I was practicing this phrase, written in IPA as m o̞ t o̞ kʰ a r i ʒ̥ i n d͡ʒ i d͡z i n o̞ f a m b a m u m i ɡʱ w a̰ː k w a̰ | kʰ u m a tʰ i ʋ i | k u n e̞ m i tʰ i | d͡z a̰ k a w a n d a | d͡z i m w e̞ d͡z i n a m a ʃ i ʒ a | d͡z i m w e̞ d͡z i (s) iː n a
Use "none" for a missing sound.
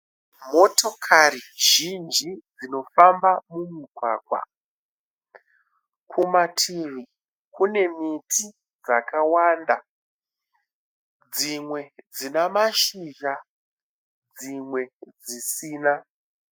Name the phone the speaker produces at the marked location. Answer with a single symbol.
s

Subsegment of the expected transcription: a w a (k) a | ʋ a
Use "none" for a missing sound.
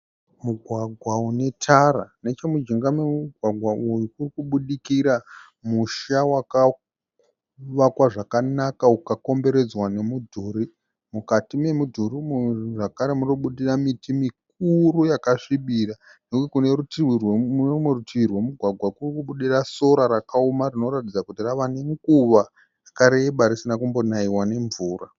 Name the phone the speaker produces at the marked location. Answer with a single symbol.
k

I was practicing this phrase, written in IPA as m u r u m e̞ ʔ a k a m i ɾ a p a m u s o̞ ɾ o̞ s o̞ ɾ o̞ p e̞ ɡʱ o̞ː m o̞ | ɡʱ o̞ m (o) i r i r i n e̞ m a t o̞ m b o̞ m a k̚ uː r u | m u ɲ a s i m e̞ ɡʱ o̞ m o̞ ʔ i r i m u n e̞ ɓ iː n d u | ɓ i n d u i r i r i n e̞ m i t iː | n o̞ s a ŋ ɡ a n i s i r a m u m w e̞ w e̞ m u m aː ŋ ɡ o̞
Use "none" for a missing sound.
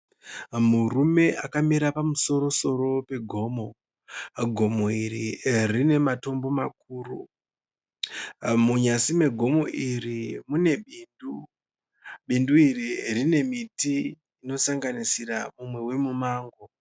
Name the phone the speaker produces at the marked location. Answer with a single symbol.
o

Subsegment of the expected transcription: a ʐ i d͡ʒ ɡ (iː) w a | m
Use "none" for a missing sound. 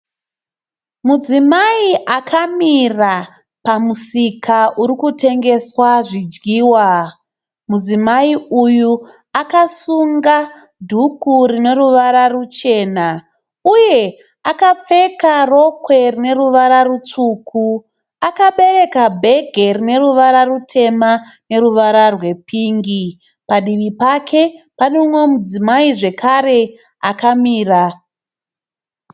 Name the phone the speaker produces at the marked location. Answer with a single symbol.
iː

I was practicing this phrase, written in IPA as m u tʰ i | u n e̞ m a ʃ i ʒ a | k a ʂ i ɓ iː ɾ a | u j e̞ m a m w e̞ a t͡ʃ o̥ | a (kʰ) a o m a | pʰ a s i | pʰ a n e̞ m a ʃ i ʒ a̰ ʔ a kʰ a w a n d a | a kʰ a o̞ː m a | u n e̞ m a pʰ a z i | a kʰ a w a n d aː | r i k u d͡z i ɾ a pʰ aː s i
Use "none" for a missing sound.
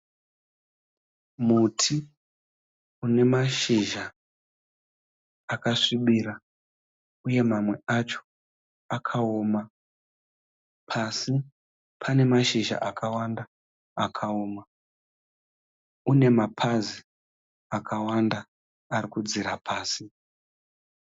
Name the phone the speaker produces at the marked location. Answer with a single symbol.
kʰ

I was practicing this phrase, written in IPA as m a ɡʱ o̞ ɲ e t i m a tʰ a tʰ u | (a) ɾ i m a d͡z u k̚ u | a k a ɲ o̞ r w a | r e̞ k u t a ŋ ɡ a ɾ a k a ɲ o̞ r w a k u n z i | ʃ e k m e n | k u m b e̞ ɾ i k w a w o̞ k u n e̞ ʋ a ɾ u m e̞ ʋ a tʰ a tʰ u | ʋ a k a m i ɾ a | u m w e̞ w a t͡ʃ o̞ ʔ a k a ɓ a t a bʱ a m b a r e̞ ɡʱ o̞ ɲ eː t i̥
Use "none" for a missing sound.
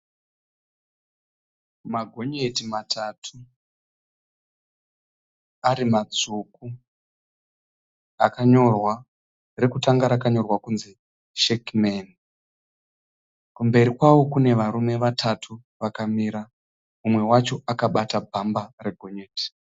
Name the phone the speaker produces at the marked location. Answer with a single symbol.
a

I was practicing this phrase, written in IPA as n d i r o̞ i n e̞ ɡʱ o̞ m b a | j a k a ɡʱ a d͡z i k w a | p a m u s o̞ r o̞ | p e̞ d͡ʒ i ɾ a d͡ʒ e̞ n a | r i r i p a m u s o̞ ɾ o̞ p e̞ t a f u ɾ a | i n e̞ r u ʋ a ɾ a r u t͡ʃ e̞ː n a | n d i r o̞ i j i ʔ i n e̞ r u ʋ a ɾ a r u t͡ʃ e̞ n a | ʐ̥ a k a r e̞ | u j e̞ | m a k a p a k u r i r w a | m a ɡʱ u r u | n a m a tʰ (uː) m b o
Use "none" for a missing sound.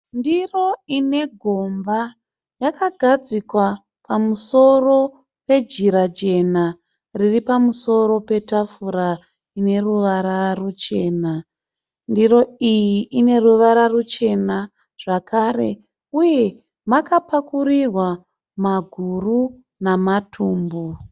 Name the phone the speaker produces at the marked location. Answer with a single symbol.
uː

